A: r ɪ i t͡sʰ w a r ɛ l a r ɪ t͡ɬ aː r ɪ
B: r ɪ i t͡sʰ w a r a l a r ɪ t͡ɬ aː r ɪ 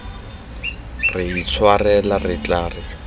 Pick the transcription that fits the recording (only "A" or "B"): A